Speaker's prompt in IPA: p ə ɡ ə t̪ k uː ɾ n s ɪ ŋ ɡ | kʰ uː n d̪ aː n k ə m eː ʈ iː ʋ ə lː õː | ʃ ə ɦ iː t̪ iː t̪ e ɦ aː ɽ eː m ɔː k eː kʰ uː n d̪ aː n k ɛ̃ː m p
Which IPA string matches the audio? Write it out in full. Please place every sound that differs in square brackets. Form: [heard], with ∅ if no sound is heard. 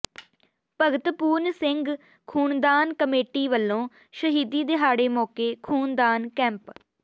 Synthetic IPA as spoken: p ə ɡ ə t̪ [p] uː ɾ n s ɪ ŋ ɡ | kʰ uː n d̪ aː n k ə m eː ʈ iː ʋ ə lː õː | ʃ ə ɦ iː [d̪] iː [d̪] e ɦ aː ɽ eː m ɔː k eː kʰ uː n d̪ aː n k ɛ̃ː m p